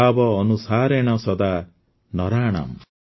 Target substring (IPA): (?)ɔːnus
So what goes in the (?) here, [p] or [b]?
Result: b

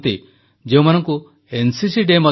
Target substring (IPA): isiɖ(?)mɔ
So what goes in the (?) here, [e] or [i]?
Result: e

